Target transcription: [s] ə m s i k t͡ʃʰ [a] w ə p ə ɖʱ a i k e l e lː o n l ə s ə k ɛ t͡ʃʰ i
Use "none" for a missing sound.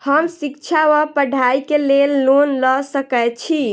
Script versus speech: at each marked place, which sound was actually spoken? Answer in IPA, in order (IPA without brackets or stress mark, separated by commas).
h, a